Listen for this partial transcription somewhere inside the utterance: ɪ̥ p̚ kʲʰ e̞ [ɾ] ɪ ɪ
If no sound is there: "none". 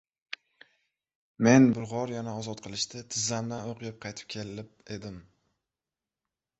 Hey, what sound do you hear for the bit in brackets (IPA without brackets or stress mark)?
l